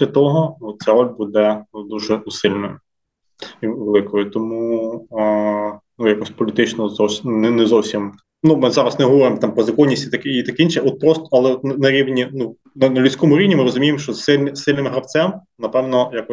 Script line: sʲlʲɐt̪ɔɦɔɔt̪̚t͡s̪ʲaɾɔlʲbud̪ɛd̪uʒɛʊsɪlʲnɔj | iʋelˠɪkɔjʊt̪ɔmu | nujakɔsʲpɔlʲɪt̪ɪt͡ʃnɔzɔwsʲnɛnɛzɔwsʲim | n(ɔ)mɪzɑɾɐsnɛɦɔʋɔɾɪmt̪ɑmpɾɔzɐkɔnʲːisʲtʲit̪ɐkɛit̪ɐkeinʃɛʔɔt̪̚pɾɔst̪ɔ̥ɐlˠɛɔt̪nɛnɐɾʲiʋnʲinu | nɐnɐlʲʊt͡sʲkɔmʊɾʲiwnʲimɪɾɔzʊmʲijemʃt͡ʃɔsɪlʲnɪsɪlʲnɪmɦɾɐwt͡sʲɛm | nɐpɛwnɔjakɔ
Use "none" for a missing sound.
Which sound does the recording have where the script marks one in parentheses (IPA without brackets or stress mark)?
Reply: u